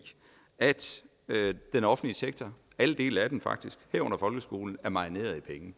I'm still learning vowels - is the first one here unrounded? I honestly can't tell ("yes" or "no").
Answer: yes